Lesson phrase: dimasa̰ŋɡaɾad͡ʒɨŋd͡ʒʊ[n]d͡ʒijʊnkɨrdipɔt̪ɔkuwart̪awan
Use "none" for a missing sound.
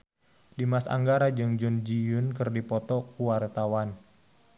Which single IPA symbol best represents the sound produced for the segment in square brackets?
n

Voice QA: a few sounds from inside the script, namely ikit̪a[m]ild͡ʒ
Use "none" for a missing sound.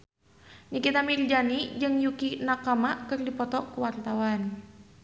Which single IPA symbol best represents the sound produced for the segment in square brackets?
m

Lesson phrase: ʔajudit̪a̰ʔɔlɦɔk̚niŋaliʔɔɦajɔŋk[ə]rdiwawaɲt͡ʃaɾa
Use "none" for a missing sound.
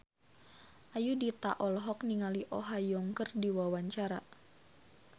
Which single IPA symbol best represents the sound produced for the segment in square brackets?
ə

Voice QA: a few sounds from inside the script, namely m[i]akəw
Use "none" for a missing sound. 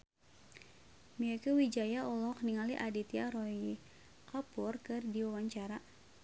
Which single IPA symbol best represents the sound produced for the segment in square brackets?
i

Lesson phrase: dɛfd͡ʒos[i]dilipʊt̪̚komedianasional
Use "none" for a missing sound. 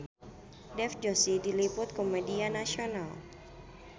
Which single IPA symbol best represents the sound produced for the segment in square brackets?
i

